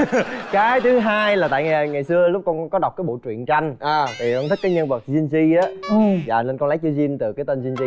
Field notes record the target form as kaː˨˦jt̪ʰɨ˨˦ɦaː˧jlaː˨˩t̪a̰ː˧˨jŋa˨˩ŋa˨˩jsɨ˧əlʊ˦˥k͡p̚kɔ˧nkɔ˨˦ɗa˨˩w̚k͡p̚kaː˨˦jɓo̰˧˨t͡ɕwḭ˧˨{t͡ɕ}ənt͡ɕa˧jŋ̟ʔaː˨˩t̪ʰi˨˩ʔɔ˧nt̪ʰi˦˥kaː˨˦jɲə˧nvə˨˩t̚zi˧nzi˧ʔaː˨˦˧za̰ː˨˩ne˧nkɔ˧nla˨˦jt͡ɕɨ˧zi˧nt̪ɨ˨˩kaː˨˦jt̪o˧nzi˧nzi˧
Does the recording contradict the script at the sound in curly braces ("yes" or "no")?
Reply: yes